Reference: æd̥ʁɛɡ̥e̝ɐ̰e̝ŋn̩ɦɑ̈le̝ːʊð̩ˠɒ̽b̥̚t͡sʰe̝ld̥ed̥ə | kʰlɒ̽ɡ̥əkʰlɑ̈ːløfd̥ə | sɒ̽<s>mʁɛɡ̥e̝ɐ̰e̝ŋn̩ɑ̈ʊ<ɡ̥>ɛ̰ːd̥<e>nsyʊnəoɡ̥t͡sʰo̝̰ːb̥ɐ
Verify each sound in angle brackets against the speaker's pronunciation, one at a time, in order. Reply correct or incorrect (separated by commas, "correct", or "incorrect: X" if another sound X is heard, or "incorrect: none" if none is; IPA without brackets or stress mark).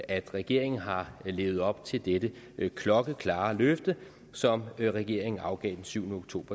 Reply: incorrect: none, correct, correct